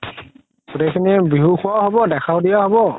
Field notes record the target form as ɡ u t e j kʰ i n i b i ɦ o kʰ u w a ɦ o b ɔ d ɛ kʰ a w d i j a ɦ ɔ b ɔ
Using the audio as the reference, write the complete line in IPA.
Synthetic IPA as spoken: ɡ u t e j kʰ i n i b i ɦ u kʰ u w a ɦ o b ɔ d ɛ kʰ a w d i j a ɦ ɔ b ɔ

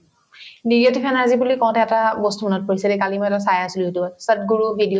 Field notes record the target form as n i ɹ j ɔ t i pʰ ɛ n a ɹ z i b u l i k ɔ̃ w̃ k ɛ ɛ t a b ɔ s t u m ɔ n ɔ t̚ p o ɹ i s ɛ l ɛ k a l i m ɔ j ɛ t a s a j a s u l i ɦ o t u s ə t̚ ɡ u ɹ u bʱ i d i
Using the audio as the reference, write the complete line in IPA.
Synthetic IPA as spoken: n i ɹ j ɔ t i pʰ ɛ n a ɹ z i b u l i k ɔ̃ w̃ t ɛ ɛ t a b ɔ s t u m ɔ n ɔ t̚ p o ɹ i s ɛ l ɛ k a l i m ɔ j ɛ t a s a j a s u l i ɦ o t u s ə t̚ ɡ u ɹ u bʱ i d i

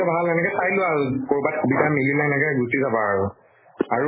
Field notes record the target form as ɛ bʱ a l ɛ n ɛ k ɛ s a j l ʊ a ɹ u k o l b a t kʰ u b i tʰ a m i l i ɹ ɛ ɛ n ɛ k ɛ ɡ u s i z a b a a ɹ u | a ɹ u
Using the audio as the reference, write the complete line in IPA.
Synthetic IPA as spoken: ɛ bʱ a l ɛ n ɛ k ɛ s a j l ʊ a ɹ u k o ɹ b a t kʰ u b i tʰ a m i l i l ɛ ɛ n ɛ k ɛ ɡ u s i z a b a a ɹ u | a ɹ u

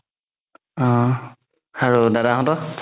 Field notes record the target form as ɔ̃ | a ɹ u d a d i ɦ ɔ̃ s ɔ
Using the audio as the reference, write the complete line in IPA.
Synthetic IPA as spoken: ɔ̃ | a ɹ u d a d a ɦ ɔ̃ t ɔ

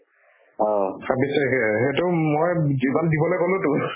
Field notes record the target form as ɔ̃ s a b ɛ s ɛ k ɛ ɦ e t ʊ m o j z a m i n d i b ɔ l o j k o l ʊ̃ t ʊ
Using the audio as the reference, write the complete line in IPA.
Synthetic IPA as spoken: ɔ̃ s a b i s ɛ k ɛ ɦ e t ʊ m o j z i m a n d i b ɔ l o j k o l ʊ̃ t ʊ

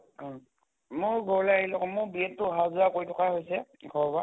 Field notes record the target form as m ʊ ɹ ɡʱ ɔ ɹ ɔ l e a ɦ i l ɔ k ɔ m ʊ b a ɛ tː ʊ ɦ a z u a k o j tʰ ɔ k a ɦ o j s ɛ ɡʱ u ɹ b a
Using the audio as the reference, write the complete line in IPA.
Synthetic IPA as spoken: m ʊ ɹ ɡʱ ɔ ɹ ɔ l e a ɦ i l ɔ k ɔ m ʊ b i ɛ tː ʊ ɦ a z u a k o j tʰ ɔ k a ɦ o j s ɛ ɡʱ ɔ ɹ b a

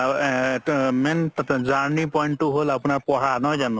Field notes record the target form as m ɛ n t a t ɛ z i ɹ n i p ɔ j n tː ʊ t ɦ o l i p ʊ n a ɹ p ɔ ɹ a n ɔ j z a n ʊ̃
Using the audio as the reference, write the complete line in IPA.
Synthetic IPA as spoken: m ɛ n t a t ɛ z a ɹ n i p ɔ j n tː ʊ ɦ o l a p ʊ n a ɹ p ɔ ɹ a n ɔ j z a n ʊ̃

